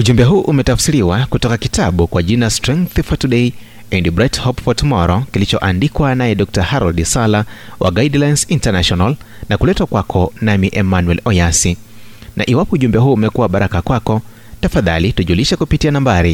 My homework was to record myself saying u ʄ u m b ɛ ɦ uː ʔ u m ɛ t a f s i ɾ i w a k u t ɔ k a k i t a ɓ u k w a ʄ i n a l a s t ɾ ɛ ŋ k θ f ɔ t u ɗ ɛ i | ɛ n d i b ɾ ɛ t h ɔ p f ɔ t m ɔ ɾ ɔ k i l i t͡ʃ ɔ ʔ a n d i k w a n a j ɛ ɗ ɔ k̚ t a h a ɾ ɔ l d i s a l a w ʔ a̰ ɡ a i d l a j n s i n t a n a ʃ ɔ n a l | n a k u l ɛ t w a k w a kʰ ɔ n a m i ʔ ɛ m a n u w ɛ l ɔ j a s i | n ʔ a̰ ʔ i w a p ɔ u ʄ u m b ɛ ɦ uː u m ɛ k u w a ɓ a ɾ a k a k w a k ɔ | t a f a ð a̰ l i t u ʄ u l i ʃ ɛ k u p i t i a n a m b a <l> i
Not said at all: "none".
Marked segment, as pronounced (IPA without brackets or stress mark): ɾ